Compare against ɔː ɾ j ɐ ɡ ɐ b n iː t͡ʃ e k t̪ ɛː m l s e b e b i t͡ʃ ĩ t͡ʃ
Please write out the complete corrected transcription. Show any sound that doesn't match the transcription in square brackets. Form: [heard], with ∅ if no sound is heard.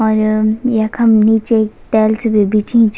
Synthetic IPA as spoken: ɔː ɾ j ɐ [k] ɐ [m] n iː t͡ʃ e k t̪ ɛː [∅] l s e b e b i t͡ʃ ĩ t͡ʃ